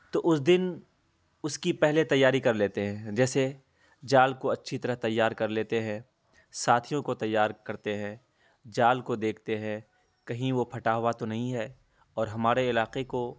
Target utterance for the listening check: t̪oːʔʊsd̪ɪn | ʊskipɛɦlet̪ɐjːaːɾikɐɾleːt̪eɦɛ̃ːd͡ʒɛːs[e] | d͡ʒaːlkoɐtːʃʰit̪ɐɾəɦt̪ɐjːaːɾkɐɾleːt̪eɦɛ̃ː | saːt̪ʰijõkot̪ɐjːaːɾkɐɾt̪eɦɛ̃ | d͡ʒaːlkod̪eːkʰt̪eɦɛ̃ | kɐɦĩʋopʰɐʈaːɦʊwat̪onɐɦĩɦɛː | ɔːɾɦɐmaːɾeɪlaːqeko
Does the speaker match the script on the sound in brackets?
yes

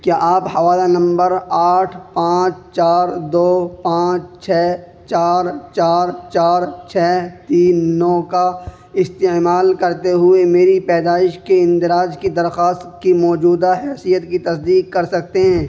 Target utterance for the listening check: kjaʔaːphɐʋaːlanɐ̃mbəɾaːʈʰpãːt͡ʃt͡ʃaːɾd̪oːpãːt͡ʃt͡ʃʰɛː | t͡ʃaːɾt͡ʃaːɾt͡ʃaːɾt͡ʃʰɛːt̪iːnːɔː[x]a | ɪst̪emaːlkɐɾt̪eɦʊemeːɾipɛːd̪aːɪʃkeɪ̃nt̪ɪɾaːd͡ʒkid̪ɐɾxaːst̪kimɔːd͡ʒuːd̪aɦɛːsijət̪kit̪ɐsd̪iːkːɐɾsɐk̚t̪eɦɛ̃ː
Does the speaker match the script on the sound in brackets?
no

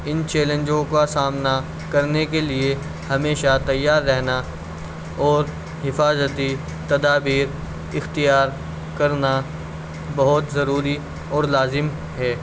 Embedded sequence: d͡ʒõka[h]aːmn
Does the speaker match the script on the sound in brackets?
no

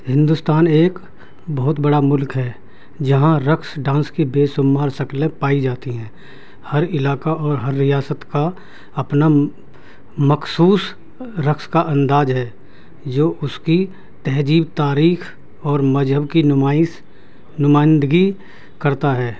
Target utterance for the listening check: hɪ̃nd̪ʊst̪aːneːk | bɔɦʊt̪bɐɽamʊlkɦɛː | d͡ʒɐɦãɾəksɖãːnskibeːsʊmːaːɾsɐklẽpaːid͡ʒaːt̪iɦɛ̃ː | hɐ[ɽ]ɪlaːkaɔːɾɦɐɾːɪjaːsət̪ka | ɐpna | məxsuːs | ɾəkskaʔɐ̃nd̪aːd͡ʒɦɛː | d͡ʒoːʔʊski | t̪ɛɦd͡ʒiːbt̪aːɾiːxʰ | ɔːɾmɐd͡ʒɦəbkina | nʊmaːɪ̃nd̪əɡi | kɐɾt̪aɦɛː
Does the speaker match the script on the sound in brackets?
no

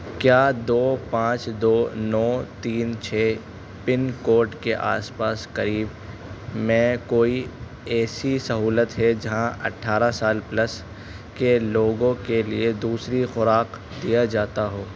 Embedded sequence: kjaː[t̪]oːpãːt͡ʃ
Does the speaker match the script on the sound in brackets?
no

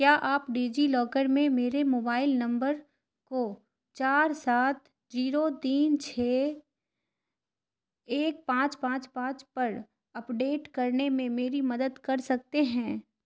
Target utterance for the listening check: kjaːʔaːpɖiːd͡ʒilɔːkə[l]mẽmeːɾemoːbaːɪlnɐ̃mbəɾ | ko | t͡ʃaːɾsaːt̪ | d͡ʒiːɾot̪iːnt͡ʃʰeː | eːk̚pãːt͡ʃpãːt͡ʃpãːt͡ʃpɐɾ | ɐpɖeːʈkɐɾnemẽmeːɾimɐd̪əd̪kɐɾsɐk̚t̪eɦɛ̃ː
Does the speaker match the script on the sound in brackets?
no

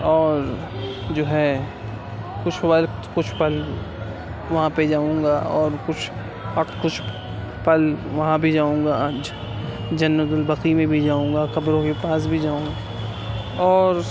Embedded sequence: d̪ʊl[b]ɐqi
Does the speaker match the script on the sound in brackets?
yes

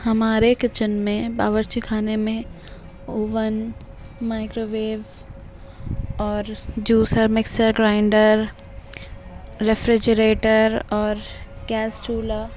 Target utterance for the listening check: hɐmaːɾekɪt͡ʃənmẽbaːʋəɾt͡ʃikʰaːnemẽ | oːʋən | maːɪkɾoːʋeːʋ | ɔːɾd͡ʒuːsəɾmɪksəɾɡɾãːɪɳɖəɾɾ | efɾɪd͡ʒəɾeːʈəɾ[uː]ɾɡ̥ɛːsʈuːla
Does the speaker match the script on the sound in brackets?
no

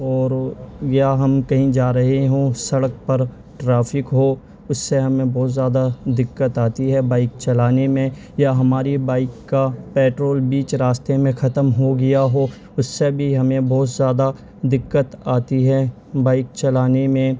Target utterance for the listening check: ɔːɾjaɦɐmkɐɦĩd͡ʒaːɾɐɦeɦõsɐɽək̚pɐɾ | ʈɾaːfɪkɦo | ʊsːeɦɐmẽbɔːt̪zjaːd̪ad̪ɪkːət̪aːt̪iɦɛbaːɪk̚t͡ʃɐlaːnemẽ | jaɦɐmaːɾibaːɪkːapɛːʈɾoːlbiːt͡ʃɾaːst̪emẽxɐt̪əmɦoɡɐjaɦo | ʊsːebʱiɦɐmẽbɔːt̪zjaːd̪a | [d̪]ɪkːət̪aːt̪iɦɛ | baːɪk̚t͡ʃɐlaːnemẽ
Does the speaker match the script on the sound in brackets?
yes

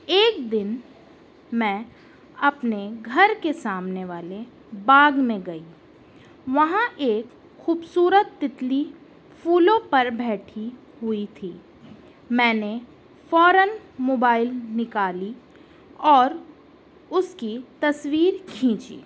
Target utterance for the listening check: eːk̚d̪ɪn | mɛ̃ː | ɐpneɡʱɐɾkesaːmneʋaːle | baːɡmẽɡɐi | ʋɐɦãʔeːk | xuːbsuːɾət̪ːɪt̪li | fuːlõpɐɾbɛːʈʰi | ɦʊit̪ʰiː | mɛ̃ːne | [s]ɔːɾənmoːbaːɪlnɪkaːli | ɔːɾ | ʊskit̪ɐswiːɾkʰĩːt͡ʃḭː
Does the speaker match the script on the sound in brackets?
no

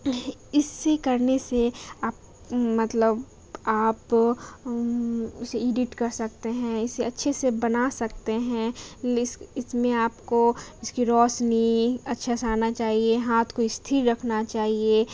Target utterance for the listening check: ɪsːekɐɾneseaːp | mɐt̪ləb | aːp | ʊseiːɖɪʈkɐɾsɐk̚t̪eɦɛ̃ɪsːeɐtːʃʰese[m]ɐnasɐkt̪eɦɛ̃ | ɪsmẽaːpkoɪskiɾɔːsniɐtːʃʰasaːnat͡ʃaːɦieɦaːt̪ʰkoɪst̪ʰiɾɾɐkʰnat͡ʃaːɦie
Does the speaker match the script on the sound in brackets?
no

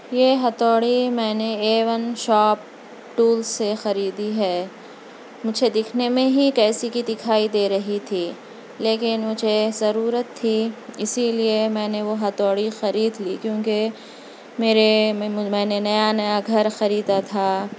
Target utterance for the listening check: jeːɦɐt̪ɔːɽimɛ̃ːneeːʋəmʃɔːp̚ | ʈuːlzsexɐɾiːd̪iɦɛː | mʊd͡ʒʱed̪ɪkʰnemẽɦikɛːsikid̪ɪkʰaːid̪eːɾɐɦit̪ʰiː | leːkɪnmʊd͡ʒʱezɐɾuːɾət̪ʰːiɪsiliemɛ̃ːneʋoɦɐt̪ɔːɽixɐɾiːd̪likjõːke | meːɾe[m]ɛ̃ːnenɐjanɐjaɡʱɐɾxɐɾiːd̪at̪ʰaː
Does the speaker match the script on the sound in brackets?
yes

